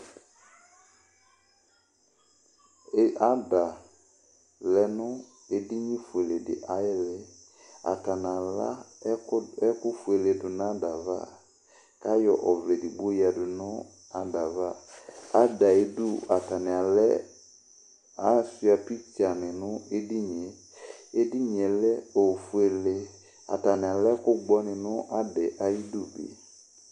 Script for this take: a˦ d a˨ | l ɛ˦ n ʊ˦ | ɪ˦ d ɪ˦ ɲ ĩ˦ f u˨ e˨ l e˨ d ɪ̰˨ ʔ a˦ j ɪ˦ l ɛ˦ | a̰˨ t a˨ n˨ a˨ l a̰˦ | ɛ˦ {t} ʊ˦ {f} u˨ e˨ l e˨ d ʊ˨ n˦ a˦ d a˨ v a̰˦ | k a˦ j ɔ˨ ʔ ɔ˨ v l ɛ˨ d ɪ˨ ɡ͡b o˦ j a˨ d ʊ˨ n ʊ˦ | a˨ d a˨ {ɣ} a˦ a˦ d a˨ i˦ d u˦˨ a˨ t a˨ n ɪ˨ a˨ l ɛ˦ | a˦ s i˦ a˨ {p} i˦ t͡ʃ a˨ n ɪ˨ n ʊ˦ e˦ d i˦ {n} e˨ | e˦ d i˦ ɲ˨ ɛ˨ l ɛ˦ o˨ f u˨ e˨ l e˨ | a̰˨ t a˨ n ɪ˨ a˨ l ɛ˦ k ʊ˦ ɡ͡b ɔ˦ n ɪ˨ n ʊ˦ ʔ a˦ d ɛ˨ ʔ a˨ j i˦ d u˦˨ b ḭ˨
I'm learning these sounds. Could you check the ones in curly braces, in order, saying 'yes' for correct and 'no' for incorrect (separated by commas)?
no, yes, no, yes, no